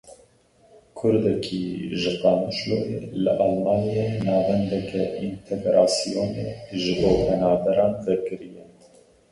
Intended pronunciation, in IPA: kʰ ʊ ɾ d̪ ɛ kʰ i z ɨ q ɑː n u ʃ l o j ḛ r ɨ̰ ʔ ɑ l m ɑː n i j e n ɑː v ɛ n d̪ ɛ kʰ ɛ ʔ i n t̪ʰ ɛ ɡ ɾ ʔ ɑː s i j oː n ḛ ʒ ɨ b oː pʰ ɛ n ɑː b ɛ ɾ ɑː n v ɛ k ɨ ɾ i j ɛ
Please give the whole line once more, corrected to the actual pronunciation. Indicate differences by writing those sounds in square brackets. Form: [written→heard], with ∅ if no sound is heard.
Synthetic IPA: kʰ ʊ ɾ d̪ ɛ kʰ i [z→ʒ] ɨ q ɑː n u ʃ l o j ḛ [r→l] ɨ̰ ʔ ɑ l m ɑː n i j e n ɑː v ɛ n d̪ ɛ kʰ ɛ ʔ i n t̪ʰ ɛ ɡ ɾ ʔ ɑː s i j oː n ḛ ʒ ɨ b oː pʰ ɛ n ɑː b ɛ ɾ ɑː n v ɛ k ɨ ɾ i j ɛ